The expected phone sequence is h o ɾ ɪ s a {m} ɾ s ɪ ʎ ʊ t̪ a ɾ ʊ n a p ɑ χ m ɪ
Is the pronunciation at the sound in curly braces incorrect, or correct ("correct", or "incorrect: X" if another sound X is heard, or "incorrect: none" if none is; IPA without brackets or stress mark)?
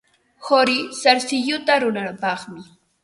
incorrect: none